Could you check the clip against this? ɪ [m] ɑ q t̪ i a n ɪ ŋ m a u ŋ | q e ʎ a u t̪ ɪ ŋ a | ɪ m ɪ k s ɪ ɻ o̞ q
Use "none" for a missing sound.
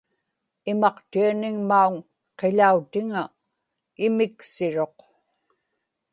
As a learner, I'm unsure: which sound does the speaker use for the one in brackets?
m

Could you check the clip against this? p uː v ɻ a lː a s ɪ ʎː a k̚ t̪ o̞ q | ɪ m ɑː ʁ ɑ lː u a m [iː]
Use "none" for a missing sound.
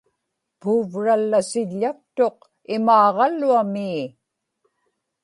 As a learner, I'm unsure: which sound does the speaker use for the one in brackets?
iː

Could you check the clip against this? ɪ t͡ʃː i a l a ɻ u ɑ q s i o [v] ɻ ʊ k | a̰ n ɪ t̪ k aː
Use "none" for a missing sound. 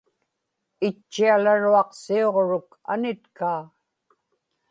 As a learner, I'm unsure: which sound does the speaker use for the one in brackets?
ʁ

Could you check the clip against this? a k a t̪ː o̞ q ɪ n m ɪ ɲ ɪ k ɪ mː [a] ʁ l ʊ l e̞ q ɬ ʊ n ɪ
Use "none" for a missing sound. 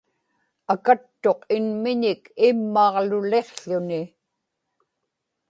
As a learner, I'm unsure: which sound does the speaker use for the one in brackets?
ɑ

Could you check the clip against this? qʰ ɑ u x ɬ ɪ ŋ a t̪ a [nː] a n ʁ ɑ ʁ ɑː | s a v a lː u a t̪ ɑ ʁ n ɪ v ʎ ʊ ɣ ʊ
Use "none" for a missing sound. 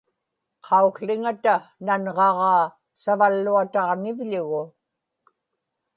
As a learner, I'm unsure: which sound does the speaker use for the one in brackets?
n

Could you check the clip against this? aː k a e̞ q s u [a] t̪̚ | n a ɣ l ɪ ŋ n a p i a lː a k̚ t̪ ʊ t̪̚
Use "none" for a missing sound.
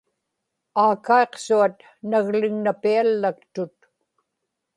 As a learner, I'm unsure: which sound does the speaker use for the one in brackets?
a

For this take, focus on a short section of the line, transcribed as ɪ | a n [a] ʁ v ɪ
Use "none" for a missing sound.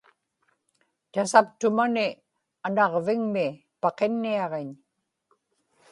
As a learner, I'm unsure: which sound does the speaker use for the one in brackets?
ɑ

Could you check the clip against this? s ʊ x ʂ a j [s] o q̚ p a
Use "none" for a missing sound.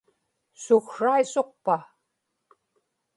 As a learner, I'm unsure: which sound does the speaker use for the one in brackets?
s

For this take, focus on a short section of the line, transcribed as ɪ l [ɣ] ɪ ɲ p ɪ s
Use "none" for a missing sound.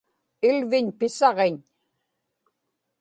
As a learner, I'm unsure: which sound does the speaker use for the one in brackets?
v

